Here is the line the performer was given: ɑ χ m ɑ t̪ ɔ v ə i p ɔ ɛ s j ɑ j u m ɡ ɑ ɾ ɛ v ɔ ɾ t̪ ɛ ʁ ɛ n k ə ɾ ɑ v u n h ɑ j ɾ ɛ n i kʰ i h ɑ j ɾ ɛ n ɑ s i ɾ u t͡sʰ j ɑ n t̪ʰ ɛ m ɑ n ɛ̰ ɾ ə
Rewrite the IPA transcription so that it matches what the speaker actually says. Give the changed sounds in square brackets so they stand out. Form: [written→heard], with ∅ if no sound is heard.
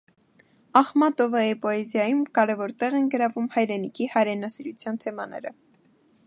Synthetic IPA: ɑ χ m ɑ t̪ ɔ v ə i p ɔ ɛ [s→z] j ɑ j u m [ɡ→k] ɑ ɾ ɛ v ɔ ɾ t̪ ɛ ʁ ɛ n [k→ɡ] ə ɾ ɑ v u [n→m] h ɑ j ɾ ɛ n i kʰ i h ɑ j ɾ ɛ n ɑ s i ɾ u t͡sʰ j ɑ n t̪ʰ ɛ m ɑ n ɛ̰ ɾ ə